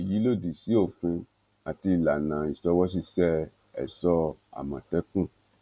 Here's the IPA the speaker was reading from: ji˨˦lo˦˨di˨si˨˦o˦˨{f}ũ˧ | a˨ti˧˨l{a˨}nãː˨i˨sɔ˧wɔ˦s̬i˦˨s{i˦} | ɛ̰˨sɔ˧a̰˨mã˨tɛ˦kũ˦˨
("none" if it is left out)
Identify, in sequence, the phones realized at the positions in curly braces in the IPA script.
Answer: f, a˨, ɛ˦

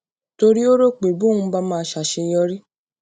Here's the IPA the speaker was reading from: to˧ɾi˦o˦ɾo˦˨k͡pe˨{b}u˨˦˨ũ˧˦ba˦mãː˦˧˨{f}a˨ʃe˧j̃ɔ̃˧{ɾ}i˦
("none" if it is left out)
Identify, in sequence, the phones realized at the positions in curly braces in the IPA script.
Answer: b, ʃ, ɾ

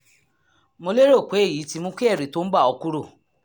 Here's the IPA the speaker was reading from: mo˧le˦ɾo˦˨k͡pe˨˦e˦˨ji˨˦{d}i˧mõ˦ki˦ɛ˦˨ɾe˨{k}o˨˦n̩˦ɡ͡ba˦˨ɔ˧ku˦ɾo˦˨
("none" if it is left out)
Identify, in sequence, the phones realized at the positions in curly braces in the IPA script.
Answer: t, t

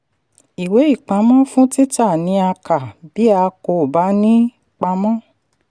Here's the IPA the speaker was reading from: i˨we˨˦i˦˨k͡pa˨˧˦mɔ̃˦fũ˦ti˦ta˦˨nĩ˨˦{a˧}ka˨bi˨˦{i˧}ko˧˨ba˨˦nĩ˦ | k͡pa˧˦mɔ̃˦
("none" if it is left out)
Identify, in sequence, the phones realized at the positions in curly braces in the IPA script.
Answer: a˧, a˧

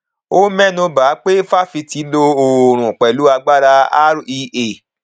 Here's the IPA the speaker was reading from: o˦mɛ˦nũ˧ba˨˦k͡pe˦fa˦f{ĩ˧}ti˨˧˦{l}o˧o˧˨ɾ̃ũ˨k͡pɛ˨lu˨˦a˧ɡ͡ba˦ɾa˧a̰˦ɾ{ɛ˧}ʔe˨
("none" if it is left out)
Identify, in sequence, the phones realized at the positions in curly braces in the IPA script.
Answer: i˧, l, i˧

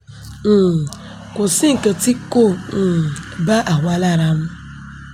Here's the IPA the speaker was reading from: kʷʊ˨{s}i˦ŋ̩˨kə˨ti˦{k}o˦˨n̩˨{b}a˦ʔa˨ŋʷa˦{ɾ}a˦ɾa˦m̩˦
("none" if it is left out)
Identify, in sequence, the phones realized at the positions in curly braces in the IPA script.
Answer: s, k, b, l

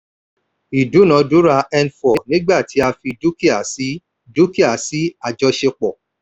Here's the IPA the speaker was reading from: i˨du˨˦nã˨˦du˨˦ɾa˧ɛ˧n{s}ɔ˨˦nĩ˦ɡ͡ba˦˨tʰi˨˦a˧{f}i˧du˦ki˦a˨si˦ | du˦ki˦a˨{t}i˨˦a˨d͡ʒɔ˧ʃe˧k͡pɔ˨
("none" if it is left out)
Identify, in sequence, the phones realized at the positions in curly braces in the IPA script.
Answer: f, f, s

